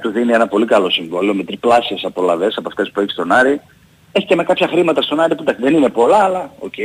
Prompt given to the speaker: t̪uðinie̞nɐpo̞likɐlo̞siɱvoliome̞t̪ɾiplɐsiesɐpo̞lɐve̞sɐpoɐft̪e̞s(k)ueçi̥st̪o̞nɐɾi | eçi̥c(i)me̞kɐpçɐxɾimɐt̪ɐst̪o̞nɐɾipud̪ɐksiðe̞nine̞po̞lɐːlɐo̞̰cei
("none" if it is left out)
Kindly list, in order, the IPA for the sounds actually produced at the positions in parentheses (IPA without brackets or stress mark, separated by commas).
p, e